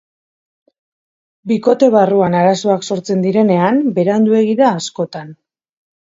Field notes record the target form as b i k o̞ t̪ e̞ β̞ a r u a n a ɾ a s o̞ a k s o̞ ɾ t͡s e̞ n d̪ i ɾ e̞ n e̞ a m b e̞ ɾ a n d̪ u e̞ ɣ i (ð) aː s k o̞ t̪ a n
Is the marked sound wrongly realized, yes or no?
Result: no